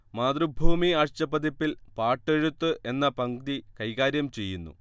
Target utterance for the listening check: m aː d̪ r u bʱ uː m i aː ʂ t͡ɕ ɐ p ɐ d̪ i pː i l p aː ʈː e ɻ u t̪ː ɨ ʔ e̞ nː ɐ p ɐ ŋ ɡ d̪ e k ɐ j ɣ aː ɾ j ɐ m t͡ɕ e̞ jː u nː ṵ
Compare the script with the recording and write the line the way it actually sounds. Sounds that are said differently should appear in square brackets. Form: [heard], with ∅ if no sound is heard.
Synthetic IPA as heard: m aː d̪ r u bʱ uː m i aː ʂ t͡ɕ ɐ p ɐ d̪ i pː i l p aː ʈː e ɻ u t̪ː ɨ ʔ e̞ nː ɐ p ɐ ŋ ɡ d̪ [i] k ɐ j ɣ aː ɾ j ɐ m t͡ɕ e̞ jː u nː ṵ